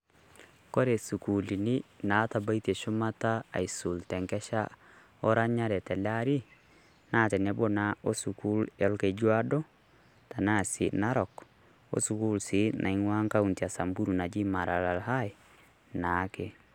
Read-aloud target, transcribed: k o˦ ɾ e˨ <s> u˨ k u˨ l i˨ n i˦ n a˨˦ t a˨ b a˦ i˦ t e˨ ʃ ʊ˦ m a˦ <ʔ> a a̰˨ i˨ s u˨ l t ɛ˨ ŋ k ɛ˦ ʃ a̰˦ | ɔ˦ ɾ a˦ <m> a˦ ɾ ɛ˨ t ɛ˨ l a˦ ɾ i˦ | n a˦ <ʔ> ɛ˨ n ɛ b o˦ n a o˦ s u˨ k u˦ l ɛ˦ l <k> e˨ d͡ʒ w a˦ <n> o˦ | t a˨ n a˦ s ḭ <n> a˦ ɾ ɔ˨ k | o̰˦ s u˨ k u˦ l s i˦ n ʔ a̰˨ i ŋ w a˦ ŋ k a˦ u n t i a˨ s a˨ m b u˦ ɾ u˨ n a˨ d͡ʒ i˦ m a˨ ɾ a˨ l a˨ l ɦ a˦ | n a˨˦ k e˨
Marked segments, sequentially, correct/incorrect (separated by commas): correct, incorrect, incorrect, incorrect, correct, incorrect, correct